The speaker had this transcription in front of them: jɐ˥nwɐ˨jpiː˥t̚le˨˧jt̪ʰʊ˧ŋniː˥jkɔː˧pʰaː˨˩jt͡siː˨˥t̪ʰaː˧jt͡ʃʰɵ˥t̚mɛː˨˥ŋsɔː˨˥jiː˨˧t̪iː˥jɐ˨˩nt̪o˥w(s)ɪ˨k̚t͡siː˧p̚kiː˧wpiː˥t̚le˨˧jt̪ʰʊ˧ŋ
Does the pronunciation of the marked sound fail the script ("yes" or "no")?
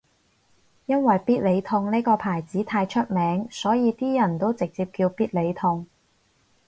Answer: yes